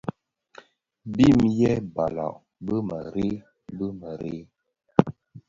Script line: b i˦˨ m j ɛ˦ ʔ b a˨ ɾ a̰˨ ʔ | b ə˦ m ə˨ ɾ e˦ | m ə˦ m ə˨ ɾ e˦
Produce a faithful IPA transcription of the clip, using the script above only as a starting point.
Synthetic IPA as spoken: b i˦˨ m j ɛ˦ b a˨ l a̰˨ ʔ | b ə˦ m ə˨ ɾ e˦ | b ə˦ m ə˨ ɾ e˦

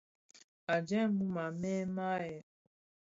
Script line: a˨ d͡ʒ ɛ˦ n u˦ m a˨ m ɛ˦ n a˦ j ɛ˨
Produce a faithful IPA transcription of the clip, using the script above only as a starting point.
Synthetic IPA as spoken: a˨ d͡ʒ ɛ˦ m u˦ m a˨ m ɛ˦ m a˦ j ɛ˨

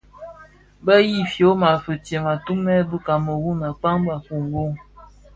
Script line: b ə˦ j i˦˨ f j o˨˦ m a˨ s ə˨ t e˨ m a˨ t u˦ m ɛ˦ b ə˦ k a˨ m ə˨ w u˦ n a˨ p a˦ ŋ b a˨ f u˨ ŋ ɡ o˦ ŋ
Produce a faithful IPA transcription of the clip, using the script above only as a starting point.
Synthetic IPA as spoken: b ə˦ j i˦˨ f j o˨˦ m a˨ f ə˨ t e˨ m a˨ t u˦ m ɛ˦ b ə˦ k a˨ m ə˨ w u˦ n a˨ k͡p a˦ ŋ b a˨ f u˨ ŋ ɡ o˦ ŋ

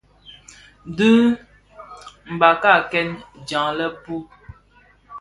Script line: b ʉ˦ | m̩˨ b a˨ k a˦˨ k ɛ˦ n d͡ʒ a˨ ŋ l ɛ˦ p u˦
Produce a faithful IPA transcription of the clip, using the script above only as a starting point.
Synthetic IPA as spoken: d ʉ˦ | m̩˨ b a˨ k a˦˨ k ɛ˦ n d͡ʒ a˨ ŋ l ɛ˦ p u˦

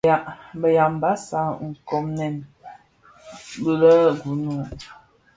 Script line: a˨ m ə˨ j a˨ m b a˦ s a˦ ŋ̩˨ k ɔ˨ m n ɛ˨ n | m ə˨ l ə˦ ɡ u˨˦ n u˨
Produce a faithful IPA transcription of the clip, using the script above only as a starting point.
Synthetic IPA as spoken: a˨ b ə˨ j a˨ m b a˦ s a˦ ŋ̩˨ k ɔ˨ m n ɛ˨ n | b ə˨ l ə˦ ɡ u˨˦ n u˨

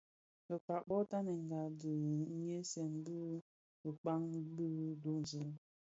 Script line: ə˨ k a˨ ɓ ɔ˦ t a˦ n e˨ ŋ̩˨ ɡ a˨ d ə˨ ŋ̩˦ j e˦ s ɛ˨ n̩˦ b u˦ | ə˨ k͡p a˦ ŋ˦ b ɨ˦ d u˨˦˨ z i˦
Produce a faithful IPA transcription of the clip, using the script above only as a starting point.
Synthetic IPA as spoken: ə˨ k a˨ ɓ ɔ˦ t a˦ n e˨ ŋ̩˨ ɡ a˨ d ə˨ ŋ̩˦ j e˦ s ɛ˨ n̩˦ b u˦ | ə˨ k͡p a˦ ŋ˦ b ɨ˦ d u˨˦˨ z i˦

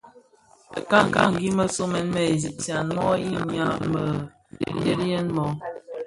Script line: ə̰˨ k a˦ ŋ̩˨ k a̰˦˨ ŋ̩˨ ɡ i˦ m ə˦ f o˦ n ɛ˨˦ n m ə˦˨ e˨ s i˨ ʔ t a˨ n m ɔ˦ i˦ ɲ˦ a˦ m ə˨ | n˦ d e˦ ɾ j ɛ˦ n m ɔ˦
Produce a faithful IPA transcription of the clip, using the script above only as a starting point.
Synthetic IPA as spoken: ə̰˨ k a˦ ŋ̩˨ k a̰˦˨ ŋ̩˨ ɡ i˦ m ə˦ s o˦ m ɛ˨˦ n m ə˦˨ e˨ z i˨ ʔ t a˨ n m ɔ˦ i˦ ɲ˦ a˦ m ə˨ | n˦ d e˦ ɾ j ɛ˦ n m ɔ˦

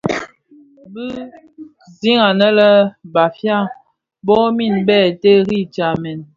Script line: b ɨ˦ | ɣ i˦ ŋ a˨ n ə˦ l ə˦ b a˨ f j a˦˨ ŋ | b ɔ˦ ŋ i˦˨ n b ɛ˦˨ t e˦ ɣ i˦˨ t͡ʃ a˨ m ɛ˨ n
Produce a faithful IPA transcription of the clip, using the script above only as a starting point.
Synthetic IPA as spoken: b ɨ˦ | z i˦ ŋ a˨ n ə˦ l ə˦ b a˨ f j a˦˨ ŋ | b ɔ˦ m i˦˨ n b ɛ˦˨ t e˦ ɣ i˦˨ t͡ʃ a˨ m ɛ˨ n

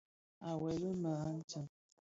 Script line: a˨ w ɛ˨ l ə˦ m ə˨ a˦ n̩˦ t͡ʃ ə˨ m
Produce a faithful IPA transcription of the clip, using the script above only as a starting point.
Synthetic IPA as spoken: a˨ w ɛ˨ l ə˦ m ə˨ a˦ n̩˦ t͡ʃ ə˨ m

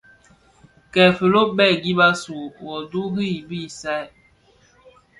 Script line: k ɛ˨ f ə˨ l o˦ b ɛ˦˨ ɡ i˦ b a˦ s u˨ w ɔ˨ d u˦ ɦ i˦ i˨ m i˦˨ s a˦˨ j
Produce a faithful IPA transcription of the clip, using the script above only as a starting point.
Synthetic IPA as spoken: k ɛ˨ f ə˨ l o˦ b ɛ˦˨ ɡ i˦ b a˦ s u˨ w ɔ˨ d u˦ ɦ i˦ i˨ b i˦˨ s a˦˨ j

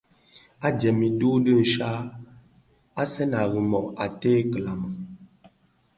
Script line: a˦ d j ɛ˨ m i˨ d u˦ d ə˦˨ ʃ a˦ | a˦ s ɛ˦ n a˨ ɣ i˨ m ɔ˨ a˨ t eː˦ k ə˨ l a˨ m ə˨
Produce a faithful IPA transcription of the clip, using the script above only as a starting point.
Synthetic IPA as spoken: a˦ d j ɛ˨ m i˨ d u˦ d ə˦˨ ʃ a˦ | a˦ s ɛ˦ n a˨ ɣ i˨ m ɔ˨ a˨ t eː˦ k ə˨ l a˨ m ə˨

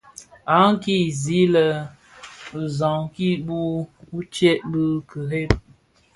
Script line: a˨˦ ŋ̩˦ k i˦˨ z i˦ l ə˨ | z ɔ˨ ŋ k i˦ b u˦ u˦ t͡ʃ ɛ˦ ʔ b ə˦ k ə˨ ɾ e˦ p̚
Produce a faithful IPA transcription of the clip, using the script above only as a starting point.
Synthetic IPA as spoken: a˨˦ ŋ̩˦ k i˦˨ z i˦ l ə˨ | z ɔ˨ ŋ k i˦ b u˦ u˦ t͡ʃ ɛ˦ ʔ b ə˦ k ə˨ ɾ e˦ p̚

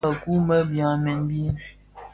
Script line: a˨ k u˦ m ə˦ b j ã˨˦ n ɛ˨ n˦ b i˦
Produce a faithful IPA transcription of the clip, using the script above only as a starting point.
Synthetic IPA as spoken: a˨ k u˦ m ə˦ b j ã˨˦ m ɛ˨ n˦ b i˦

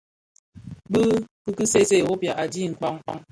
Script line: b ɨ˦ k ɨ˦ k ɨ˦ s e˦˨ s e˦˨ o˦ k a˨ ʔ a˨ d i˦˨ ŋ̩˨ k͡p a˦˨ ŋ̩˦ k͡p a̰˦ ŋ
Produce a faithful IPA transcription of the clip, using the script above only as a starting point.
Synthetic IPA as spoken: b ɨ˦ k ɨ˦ k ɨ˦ s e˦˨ s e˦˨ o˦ p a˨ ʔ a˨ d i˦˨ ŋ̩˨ k͡p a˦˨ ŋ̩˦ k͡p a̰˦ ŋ

